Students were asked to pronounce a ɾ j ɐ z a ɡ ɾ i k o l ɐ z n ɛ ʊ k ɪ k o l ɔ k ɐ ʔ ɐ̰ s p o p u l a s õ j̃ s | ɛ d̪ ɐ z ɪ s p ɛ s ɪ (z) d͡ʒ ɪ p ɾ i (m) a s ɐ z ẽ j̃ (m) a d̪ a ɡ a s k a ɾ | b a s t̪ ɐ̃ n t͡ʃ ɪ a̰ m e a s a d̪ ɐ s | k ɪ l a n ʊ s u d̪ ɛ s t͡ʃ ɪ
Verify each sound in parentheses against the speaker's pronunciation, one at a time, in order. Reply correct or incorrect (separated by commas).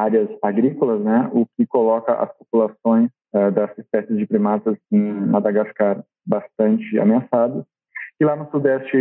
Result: correct, correct, correct